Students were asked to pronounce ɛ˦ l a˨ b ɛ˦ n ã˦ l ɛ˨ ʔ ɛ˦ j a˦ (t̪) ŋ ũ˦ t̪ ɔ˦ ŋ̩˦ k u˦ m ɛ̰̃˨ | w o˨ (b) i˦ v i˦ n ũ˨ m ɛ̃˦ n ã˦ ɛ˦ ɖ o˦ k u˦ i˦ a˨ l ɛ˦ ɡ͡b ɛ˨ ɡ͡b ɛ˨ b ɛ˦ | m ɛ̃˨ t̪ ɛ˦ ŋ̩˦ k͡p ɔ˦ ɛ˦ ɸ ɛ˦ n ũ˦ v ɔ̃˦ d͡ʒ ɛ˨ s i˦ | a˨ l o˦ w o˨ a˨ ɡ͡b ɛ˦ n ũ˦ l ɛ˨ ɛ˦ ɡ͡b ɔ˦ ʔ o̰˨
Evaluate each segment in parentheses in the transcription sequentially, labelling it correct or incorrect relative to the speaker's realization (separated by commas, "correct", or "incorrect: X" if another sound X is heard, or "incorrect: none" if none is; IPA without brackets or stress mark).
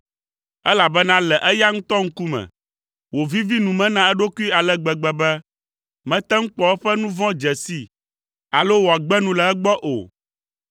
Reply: incorrect: none, incorrect: v